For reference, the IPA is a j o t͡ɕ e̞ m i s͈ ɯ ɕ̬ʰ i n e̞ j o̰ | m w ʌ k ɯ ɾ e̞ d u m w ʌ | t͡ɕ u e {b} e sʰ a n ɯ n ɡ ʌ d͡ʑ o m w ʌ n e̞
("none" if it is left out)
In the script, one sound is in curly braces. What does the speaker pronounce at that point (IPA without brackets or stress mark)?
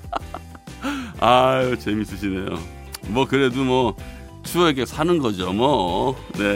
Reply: ɡ